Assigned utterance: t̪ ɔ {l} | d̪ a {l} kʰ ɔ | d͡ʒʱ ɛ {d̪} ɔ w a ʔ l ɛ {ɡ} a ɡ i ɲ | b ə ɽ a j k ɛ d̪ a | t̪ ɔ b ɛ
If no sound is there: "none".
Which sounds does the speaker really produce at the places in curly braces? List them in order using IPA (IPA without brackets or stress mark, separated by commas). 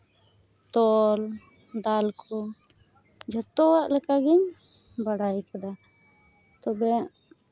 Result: l, l, t̪, k